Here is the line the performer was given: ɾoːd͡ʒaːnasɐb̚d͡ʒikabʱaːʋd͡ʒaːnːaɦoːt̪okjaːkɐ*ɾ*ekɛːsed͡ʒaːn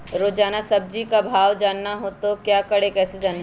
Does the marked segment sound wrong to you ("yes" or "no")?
yes